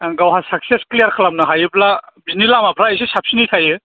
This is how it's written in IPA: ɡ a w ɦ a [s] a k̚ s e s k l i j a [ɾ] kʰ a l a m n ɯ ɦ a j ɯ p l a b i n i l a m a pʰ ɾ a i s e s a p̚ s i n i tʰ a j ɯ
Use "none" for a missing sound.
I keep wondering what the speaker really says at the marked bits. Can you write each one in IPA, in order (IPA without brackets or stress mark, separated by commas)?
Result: s, ɾ